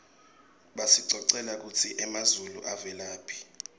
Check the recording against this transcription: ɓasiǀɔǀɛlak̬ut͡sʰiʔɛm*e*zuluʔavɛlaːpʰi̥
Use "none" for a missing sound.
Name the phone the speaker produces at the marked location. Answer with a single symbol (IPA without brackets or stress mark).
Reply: a